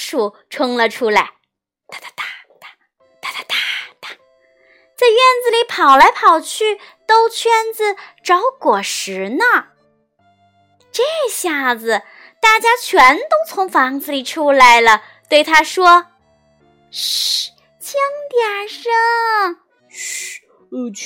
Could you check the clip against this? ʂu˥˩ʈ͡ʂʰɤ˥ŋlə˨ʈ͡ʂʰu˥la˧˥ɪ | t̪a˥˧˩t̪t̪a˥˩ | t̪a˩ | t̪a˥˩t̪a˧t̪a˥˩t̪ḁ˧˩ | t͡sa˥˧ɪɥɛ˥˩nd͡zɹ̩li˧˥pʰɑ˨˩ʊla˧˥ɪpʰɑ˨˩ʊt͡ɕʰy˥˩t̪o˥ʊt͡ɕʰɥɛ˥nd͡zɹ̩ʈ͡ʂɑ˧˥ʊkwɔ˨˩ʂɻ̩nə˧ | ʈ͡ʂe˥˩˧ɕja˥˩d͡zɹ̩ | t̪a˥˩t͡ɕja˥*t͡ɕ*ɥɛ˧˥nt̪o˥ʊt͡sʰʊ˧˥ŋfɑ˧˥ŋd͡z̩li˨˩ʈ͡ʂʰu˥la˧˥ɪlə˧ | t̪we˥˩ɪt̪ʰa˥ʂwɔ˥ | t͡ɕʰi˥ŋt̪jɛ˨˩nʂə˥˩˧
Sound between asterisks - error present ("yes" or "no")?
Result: yes